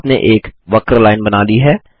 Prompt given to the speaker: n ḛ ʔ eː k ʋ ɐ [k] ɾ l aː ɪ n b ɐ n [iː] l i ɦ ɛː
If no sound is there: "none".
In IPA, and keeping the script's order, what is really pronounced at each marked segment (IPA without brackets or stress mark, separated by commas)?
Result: k, aː